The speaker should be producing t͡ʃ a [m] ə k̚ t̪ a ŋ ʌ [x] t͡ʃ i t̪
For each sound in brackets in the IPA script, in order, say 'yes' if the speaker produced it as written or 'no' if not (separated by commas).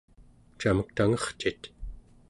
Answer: yes, no